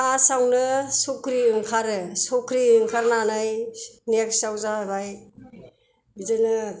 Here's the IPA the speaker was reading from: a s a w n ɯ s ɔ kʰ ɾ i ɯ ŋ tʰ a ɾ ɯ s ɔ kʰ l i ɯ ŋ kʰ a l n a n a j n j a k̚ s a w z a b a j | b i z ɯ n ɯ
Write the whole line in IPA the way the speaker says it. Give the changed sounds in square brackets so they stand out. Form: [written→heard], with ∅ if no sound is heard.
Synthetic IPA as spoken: a s a w n ɯ s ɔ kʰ ɾ i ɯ ŋ [tʰ→kʰ] a ɾ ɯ s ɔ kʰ [l→ɾ] i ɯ ŋ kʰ a [l→ɾ] n a n a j n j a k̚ s a w z a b a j | b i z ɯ n ɯ